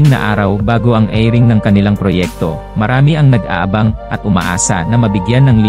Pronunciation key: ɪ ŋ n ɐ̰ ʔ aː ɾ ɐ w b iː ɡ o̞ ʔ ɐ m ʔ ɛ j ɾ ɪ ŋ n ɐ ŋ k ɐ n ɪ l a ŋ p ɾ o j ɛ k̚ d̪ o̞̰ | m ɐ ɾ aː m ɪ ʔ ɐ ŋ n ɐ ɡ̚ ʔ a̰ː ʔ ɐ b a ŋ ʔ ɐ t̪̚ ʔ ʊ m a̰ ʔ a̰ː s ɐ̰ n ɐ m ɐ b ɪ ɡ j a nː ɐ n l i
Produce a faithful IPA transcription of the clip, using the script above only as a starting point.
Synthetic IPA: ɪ ŋ n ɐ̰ ʔ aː ɾ ɐ w b aː ɡ o̞ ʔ ɐ ŋ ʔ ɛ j ɾ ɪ ŋ n ɐ ŋ k ɐ n ɪ l a ŋ p ɾ o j ɛ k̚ t̪ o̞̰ | m ɐ ɾ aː m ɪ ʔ ɐ ŋ n ɐ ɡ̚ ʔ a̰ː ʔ ɐ b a ŋ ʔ ɐ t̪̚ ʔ ʊ m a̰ ʔ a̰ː s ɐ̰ n ɐ m ɐ b ɪ ɡ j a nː ɐ ŋ l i